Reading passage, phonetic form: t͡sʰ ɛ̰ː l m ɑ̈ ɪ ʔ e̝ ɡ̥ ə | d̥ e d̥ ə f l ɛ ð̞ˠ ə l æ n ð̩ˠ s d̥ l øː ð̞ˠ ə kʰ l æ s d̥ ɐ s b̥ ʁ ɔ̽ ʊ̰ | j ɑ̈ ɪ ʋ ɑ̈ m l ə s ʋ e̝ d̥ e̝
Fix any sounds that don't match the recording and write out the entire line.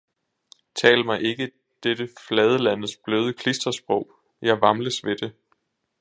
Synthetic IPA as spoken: t͡sʰ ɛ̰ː l m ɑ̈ ɪ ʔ e̝ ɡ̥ ə | d̥ e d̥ ə f l ɛ ð̞ˠ ə l æ n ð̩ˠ s b̥ l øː ð̞ˠ ə kʰ l i s d̥ ɐ s b̥ ʁ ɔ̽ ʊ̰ | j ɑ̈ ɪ ʋ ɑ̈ m l ə s ʋ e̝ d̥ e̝